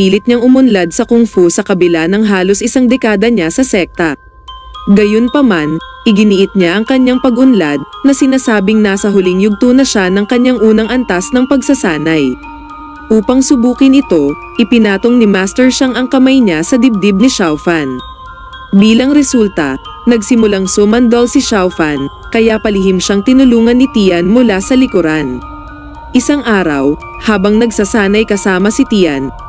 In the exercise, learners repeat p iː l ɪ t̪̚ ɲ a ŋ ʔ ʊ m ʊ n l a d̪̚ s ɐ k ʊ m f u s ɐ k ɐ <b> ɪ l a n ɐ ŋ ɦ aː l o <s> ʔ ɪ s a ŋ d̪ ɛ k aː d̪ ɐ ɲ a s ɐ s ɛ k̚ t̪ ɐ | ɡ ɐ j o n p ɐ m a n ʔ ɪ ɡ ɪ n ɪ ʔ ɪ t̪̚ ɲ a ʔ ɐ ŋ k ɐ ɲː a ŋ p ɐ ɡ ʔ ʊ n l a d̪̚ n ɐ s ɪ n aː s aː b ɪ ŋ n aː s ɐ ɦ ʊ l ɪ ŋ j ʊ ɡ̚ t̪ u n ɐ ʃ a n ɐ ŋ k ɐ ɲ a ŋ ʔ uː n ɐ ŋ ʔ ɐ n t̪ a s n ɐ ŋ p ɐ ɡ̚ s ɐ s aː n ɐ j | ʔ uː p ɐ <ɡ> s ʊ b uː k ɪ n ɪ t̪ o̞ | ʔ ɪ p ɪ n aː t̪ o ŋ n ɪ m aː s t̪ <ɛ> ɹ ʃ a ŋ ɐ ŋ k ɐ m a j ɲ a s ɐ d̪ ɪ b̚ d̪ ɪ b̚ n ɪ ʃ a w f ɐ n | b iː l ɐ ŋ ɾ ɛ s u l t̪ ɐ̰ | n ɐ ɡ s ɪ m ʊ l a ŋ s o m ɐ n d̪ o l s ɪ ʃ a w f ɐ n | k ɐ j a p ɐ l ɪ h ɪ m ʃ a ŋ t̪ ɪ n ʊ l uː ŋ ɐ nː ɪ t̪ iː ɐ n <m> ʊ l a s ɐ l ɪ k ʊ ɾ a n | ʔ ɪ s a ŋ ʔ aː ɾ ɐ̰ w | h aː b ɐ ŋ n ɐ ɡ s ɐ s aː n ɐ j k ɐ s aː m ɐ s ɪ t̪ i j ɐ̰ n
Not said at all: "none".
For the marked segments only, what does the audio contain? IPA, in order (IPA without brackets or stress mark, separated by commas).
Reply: b, s, ŋ, ɛ, m